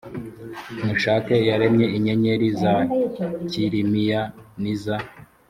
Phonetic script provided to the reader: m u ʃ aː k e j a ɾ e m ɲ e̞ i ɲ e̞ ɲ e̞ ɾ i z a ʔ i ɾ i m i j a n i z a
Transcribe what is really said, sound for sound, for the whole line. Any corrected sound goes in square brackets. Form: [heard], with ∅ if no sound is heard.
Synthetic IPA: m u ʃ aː k e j a ɾ e m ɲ e̞ i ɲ e̞ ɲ e̞ ɾ i z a [c] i ɾ i m i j a n i z a